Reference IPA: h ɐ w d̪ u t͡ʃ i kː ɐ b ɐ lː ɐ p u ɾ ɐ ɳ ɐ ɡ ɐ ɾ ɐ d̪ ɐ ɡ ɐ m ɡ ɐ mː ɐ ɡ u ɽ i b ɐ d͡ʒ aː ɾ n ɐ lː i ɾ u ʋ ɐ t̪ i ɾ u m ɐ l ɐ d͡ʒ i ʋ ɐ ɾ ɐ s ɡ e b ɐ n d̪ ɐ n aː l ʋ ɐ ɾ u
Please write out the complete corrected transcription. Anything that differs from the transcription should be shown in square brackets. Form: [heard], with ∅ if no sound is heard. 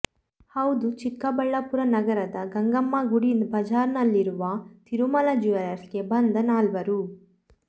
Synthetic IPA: h ɐ w d̪ u t͡ʃ i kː ɐ b ɐ [ɭː] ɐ p u ɾ ɐ [n] ɐ ɡ ɐ ɾ ɐ d̪ ɐ ɡ ɐ [ŋ] ɡ ɐ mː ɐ ɡ u ɽ i b ɐ d͡ʒ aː ɾ n ɐ lː i ɾ u ʋ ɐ t̪ i ɾ u m ɐ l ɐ d͡ʒ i ʋ ɐ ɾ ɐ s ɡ e b ɐ n d̪ ɐ n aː l ʋ ɐ ɾ u

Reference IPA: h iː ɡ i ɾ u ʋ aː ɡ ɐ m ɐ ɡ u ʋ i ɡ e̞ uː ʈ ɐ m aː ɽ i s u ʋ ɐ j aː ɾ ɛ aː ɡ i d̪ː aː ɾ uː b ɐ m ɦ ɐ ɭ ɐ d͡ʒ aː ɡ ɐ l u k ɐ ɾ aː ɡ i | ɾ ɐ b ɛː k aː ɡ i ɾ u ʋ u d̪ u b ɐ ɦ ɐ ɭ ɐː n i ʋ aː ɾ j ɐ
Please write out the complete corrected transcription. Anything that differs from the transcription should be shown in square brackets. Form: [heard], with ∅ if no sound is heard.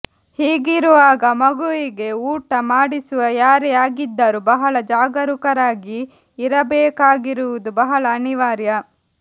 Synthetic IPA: h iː ɡ i ɾ u ʋ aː ɡ ɐ m ɐ ɡ u ʋ i ɡ e̞ uː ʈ ɐ m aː ɽ i s u ʋ ɐ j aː ɾ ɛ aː ɡ i d̪ː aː ɾ [u] b ɐ [∅] ɦ ɐ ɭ ɐ d͡ʒ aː ɡ ɐ [ɾ] u k ɐ ɾ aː ɡ [iː] | ɾ ɐ b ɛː k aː ɡ i ɾ u ʋ u d̪ u b ɐ ɦ ɐ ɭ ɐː n i ʋ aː ɾ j ɐ

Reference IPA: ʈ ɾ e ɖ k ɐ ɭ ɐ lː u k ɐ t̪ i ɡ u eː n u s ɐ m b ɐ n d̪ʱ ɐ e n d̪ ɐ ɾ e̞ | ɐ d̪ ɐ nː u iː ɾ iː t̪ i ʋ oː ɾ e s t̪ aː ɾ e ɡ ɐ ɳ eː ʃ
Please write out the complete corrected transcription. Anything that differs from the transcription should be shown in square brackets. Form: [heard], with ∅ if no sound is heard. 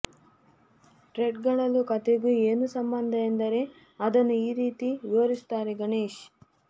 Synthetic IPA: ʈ ɾ e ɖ [ɡ] ɐ ɭ ɐ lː u k ɐ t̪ [e] ɡ u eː n u s ɐ m b ɐ n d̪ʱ ɐ e n d̪ ɐ ɾ e̞ | ɐ d̪ ɐ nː u iː ɾ iː t̪ i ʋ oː ɾ [i] s t̪ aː ɾ e ɡ ɐ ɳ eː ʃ

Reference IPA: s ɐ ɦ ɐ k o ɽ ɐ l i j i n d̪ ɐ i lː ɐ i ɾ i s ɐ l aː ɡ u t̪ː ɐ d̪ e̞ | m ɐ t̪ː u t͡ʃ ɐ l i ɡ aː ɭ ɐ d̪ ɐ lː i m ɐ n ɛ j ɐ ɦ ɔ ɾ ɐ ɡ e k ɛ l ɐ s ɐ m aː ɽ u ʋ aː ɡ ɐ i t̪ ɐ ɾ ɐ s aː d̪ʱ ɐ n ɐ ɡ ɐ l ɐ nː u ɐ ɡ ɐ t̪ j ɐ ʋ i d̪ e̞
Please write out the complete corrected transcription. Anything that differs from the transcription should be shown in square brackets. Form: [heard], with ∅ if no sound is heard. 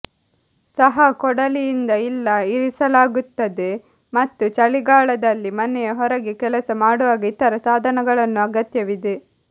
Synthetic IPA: s ɐ ɦ ɐ k [ɔ] ɽ ɐ l i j i n d̪ ɐ i lː ɐ i ɾ i s ɐ l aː ɡ u t̪ː ɐ d̪ e̞ | m ɐ t̪ː u t͡ʃ ɐ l i ɡ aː ɭ ɐ d̪ ɐ lː i m ɐ n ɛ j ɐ ɦ ɔ ɾ ɐ ɡ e k ɛ l ɐ s ɐ m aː ɽ u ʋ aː ɡ ɐ i t̪ ɐ ɾ ɐ s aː d̪ʱ ɐ n ɐ ɡ ɐ [ɭ] ɐ nː u ɐ ɡ ɐ t̪ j ɐ ʋ i d̪ e̞

